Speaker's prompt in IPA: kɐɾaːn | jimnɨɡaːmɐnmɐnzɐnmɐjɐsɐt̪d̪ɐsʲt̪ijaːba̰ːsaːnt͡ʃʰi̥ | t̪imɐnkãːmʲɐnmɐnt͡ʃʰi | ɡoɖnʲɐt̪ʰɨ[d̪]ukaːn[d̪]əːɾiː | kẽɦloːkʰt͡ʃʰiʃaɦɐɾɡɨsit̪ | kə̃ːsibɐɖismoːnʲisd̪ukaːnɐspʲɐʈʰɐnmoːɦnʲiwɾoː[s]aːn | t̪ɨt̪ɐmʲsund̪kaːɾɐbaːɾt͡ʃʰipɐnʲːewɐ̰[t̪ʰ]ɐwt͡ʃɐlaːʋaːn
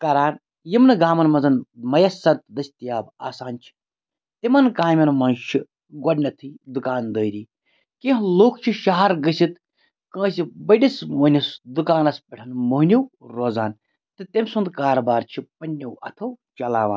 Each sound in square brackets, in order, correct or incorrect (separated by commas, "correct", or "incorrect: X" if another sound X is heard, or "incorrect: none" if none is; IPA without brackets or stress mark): correct, correct, incorrect: z, correct